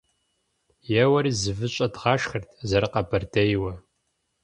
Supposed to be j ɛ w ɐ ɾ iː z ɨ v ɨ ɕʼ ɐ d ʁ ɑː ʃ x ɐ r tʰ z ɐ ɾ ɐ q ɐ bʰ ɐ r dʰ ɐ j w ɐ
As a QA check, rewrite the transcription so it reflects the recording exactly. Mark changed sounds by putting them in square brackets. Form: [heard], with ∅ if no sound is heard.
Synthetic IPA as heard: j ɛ w ɐ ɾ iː z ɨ v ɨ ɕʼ ɐ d ʁ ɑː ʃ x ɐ r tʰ z ɐ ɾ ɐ q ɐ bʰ ɐ r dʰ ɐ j w ɐ